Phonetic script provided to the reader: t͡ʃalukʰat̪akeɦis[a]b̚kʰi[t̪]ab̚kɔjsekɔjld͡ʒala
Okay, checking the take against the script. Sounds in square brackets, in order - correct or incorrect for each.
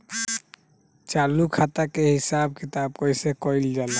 correct, correct

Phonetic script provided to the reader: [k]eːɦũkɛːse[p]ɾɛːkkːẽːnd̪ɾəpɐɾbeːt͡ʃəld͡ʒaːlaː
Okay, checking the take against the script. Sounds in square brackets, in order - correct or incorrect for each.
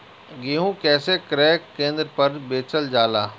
incorrect: ɡ, incorrect: k

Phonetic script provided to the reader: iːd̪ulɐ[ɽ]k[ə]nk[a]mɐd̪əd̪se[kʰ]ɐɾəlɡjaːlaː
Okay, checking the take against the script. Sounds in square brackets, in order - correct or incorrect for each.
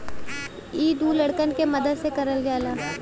correct, correct, incorrect: e, incorrect: k

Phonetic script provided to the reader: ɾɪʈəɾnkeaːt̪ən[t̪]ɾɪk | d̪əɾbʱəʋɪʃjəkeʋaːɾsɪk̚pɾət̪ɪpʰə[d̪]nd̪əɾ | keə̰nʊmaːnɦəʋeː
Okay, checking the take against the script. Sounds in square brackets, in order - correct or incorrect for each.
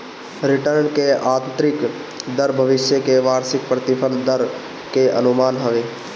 correct, incorrect: none

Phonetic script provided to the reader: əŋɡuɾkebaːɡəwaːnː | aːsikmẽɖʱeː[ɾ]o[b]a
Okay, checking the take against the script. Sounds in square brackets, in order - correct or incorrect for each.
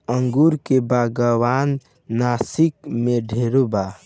correct, correct

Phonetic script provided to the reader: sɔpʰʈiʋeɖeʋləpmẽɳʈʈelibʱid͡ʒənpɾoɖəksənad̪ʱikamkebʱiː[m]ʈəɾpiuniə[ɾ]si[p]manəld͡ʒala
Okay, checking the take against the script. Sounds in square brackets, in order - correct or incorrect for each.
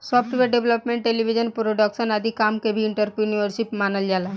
incorrect: ɳ, correct, correct

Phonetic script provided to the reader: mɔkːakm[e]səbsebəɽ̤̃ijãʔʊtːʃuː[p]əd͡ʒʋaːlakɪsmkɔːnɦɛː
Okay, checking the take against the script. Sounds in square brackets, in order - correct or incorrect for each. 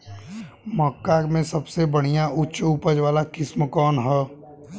incorrect: ẽ, correct

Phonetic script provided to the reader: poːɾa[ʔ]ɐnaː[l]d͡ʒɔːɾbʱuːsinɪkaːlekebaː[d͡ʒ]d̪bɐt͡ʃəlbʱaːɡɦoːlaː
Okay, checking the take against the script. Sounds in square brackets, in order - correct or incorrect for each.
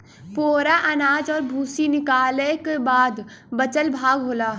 correct, incorrect: none, incorrect: none

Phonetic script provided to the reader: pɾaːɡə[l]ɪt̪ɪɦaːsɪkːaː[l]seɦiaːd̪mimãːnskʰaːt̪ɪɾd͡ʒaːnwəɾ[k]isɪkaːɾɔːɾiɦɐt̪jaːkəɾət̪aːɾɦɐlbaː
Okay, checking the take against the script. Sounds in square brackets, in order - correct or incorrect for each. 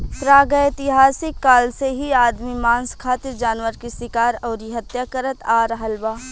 incorrect: none, correct, correct

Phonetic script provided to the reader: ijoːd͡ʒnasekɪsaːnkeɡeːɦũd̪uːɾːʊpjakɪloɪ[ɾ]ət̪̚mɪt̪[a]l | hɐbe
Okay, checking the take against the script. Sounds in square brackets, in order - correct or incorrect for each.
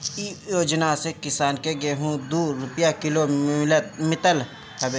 incorrect: l, incorrect: ə

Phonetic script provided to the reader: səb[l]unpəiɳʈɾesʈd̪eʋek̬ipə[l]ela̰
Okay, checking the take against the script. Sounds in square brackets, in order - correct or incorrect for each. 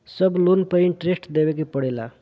correct, incorrect: ɽ

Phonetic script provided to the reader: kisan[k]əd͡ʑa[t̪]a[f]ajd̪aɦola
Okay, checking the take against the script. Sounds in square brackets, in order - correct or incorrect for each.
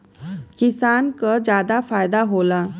correct, incorrect: d̪, correct

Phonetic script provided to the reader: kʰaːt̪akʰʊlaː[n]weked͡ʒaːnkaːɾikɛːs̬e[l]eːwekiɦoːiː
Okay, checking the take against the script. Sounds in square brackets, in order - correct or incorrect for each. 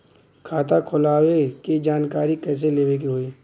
incorrect: none, correct

